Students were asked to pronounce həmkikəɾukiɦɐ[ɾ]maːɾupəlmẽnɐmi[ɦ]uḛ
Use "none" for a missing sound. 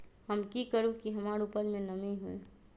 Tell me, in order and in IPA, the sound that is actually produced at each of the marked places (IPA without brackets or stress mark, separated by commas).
none, ɦ